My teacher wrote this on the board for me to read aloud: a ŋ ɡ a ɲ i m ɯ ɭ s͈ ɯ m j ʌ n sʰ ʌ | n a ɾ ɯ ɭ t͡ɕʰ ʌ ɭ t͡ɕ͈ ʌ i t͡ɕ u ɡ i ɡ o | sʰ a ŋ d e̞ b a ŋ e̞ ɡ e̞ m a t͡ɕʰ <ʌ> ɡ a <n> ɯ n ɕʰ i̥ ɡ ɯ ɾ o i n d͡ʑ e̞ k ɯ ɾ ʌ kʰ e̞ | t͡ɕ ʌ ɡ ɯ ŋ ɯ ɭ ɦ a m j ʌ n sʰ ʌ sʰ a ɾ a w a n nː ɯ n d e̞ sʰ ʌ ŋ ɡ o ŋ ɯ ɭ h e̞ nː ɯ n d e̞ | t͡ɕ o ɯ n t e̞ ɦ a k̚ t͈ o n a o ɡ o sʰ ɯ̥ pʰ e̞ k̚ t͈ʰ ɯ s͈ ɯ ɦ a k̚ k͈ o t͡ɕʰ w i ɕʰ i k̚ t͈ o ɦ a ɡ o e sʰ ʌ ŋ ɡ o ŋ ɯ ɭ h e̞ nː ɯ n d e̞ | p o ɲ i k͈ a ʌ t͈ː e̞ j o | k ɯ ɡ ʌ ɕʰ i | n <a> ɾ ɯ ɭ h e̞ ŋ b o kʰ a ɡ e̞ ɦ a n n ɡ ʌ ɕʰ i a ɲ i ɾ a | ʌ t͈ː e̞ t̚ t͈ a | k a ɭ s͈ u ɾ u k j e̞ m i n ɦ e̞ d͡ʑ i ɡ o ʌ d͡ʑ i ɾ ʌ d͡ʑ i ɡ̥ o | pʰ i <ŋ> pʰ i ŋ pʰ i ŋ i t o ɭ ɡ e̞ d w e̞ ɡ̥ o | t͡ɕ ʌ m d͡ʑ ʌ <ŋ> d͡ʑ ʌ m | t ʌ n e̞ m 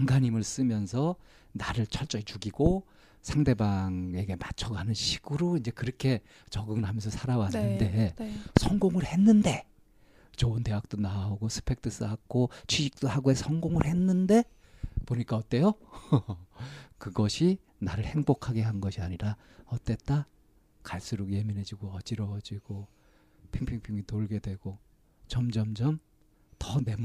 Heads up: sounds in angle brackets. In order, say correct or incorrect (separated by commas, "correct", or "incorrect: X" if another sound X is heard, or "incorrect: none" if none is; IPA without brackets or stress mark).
correct, correct, correct, correct, incorrect: m